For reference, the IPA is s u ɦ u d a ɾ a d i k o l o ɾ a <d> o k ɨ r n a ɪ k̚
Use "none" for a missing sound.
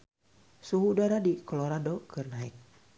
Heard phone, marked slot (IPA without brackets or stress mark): d